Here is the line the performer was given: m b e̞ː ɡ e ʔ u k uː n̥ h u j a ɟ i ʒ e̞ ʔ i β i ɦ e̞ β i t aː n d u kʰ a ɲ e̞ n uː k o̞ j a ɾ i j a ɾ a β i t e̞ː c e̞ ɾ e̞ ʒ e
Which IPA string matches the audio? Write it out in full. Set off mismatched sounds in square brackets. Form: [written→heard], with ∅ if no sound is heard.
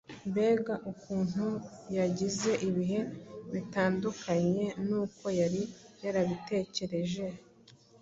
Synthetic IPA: m b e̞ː ɡ [e→a] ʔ u k uː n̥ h u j a ɟ i [ʒ→z] e̞ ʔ i β i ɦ e̞ β i t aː n d u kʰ a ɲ e̞ n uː k o̞ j a ɾ i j a ɾ a β i t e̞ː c e̞ ɾ e̞ ʒ e

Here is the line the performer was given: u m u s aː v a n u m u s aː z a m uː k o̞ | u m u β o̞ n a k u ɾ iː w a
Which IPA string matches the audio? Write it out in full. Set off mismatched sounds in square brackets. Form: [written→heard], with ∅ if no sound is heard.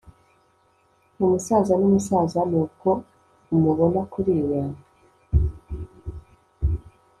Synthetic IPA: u m u s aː [v→z] a n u m u s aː z a [m→n] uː k o̞ | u m u β o̞ n a k u ɾ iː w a

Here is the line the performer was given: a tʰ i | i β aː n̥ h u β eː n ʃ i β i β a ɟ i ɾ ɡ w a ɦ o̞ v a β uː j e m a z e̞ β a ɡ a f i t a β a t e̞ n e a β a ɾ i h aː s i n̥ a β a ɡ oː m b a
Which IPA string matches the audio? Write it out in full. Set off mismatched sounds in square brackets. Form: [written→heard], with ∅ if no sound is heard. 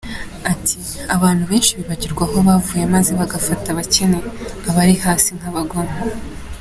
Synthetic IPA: a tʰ i | [i→a] β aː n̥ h u β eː n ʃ i β i β a ɟ i ɾ ɡ w a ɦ o̞ [v→β] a [β→v] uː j e m a z e̞ β a ɡ a f [i→a] t a β a [t→c] e̞ n e a β a ɾ i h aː s i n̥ a β a ɡ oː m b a

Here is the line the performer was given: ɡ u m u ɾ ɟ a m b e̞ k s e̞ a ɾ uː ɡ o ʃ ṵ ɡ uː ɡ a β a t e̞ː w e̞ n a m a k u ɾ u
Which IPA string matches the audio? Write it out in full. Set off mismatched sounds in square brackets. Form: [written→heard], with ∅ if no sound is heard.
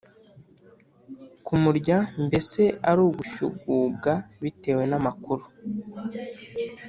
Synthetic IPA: [ɡ→k] u m u ɾ ɟ a m b e̞ [k→∅] s e̞ a ɾ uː ɡ [o→u] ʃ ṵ ɡ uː ɡ a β [a→i] t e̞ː w e̞ n a m a k u ɾ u

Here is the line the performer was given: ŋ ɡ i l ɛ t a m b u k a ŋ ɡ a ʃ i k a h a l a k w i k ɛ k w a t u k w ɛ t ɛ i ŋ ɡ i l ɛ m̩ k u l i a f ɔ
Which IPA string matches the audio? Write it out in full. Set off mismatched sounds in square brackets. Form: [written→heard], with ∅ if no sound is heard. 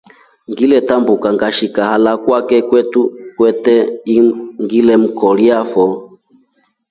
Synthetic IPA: ŋ ɡ i l ɛ t a m b u k a ŋ ɡ a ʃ i k a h a l a k w [i→a] k ɛ k w [a→ɛ] t u k w ɛ t ɛ i ŋ ɡ i l ɛ m̩ k [u→ɔ] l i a f ɔ

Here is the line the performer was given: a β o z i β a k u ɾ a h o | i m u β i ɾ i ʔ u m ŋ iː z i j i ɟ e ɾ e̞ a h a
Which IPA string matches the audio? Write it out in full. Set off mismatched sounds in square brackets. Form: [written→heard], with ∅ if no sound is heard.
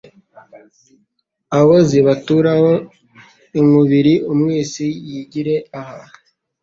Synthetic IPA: a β o z i β a [k→t] u ɾ a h o | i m u β i ɾ i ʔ u m ŋ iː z i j i ɟ [e→i] ɾ e̞ a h a

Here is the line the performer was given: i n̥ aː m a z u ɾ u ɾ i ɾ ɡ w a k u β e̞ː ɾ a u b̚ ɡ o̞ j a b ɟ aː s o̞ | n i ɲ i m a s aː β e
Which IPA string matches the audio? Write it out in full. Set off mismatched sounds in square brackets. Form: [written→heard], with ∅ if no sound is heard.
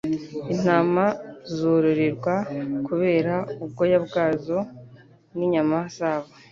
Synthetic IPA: i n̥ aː m a z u ɾ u ɾ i ɾ ɡ w a k u β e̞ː ɾ a u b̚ ɡ o̞ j a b [ɟ→ɡ] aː [s→z] o̞ | n i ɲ [i→a] m a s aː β [e→a]

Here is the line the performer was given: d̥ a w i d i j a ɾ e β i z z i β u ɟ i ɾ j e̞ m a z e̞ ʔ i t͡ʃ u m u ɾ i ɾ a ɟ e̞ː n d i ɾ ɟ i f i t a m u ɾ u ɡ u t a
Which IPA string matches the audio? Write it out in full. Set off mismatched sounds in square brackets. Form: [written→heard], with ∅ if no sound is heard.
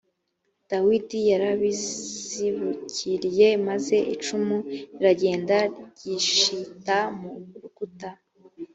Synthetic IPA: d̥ a w i d i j a ɾ [e→a] β i z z i β u [ɟ→c] i ɾ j e̞ m a z e̞ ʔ i t͡ʃ u m u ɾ i ɾ a ɟ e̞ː n d [i→a] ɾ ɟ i [f→ʃ] i t a m u ɾ u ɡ u t a

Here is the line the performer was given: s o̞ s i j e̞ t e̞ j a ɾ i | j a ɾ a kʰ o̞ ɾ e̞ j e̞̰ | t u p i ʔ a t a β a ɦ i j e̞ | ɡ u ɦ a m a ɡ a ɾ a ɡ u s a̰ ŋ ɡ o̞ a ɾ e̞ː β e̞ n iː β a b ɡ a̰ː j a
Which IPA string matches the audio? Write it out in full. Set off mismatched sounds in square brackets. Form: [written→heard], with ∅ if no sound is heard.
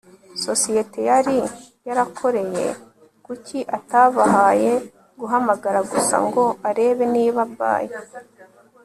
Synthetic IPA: s o̞ s i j e̞ t e̞ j a ɾ i | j a ɾ a kʰ o̞ ɾ e̞ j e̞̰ | [t→k] u [p→c] i ʔ a t a β a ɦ [i→a] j e̞ | ɡ u ɦ a m a ɡ a ɾ a ɡ u s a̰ ŋ ɡ o̞ a ɾ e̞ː β e̞ n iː β a b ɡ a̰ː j [a→e]

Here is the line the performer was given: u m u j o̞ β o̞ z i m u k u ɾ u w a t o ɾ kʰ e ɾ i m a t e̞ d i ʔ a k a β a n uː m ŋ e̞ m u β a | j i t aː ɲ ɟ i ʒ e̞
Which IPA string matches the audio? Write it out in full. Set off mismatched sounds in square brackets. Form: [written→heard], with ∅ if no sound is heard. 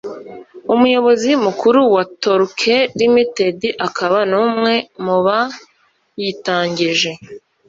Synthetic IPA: u m u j o̞ β o̞ z i m u k u ɾ u w a t o ɾ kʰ e ɾ i m [a→i] t e̞ d i ʔ a k a β a n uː m ŋ e̞ m u β a | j i t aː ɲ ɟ i ʒ e̞

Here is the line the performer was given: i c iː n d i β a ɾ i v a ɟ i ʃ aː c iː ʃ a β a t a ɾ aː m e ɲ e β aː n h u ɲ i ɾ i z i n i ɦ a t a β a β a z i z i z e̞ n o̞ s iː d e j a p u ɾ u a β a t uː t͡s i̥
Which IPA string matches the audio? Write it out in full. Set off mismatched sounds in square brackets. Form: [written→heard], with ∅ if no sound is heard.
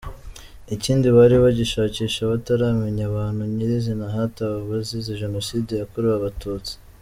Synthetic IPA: i c iː n d i β a ɾ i [v→β] a ɟ i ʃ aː c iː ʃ a β a t a ɾ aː m e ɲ [e→a] β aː n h u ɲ i ɾ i z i n [i→a] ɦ a t a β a β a z i z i [z→ʒ] e̞ n o̞ s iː d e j a [p→k] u ɾ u a β a t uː t͡s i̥

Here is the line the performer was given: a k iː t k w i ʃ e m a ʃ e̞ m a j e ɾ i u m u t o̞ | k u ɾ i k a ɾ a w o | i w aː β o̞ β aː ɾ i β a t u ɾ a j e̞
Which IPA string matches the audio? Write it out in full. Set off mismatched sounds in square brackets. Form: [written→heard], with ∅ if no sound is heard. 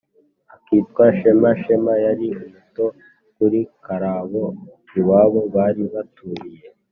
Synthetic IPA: a k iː t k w [i→a] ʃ e m a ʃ e̞ m a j [e→a] ɾ i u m u t o̞ | k u ɾ i k a ɾ a [w→β] o | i w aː β o̞ β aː ɾ i β a t u ɾ [a→i] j e̞

